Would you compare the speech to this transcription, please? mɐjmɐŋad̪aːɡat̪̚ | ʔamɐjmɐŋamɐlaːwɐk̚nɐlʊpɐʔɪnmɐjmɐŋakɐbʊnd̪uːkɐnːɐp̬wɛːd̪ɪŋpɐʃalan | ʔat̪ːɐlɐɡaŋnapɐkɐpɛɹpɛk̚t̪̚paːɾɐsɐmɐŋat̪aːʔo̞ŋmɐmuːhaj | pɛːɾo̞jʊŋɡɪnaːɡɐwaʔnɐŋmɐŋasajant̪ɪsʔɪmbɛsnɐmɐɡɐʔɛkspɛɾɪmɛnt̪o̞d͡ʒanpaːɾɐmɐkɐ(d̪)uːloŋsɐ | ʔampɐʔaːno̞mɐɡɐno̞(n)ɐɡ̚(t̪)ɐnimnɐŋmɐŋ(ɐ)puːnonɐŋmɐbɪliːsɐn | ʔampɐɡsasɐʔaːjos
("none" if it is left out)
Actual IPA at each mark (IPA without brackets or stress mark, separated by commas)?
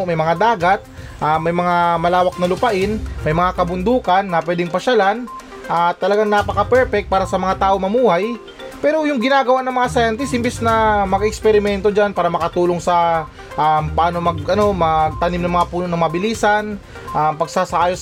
t̪, m, t̪, a